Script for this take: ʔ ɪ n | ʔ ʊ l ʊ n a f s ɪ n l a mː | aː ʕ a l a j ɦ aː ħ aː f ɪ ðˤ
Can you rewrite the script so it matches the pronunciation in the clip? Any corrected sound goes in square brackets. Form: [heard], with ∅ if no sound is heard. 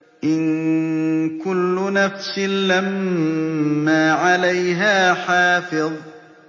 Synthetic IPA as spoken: ʔ ɪ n | [k] ʊ [lː] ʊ n a f s ɪ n l a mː | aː ʕ a l a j ɦ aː ħ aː f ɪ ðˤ